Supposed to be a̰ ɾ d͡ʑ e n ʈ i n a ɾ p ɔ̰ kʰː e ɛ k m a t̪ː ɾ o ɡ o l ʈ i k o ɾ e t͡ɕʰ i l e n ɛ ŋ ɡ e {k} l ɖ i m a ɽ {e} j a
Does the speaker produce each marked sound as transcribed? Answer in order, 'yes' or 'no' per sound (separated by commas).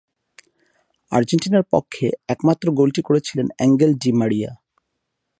no, no